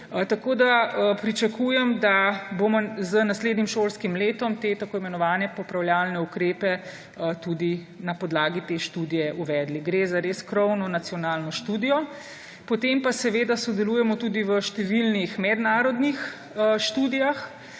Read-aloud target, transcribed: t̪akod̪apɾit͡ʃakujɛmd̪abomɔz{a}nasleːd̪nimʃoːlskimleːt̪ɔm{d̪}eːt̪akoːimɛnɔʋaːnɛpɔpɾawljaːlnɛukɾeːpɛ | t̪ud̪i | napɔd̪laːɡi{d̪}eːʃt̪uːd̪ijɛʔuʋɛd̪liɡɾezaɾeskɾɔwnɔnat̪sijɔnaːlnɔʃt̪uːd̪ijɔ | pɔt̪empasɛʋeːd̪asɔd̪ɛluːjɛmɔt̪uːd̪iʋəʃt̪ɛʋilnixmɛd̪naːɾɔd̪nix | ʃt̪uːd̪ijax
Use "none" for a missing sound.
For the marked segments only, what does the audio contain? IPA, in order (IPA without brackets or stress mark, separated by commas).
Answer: ə, t̪, t̪